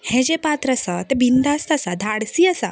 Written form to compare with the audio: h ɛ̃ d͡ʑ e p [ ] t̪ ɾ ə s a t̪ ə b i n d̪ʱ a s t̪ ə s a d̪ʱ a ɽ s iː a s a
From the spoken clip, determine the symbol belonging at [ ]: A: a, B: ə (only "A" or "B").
A